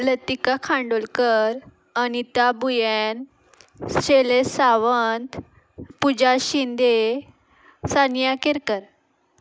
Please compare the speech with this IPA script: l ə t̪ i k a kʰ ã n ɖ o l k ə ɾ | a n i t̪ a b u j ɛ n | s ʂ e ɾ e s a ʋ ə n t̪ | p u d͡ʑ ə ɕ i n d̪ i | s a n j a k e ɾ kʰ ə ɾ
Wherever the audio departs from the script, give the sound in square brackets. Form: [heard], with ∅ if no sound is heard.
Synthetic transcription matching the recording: l ə t̪ i k a kʰ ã [ɳ] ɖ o l k ə ɾ | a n i t̪ a b u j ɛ n | s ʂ e [l] e s a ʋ ə n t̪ | p u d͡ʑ [a] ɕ i n d̪ [e] | s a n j a k e ɾ [k] ə ɾ